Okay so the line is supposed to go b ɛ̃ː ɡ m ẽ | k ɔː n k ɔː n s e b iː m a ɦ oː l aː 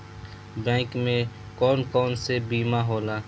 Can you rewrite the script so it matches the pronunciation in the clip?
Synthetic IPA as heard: b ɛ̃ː k m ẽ | k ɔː n k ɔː n s e b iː m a ɦ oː l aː